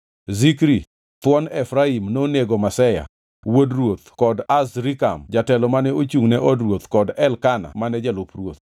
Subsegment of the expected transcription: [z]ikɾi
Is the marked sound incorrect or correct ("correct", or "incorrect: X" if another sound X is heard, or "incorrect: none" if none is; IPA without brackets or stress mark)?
correct